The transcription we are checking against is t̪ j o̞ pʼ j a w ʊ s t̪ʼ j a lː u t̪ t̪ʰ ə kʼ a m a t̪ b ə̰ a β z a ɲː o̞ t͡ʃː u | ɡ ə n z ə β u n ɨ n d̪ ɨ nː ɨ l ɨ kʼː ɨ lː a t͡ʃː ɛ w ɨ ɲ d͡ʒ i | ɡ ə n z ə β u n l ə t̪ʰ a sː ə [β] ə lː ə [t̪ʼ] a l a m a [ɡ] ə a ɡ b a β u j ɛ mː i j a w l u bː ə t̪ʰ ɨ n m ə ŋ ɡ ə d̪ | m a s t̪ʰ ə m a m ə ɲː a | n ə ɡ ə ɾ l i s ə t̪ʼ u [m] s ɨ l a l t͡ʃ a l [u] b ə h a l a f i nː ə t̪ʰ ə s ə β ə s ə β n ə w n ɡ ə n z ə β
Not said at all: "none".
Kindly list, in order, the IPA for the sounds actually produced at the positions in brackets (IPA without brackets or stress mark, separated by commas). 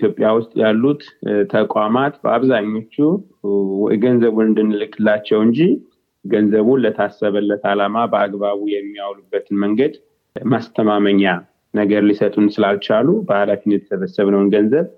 β, t̪, b, n, u